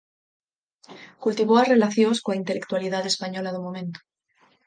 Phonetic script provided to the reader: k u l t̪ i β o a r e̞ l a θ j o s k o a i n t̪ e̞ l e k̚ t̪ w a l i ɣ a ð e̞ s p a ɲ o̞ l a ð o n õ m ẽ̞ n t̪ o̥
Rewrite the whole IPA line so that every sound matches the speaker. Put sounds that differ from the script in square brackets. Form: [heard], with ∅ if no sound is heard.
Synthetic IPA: k u l t̪ i β o a r e̞ l a θ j o s k o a i n t̪ e̞ l e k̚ t̪ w a l i [ð] a ð e̞ s p a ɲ o̞ l a ð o [m] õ m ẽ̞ n t̪ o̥

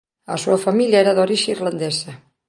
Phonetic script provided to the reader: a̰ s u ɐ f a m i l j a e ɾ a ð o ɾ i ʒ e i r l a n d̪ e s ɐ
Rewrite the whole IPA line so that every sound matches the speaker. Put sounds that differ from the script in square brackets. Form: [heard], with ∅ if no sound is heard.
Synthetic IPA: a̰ s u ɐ f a m i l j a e ɾ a ð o ɾ i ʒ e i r l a n d̪ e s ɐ

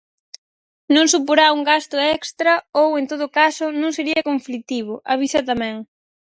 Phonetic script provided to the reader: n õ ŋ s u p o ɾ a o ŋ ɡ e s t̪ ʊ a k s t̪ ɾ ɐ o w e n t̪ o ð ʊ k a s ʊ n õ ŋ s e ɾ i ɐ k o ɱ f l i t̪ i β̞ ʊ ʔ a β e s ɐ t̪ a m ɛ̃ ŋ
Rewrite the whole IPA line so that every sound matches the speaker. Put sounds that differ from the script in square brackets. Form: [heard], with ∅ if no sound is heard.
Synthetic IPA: n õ ŋ s u p o ɾ a [u] ŋ ɡ [a] s t̪ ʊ [ɛ] k s t̪ ɾ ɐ o w e n t̪ o ð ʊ k a s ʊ n õ ŋ s e ɾ i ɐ k o ɱ f l i t̪ i β̞ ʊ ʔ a β [i] s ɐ t̪ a m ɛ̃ ŋ

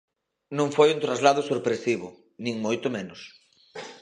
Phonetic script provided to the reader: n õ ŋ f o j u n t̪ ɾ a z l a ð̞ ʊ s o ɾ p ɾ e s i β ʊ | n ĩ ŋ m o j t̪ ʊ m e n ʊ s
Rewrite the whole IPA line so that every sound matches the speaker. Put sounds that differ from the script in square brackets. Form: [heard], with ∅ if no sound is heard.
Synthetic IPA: n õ ŋ f o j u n t̪ ɾ a z l a ð̞ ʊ s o ɾ p ɾ e s i β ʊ | n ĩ ŋ m o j t̪ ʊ m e n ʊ s

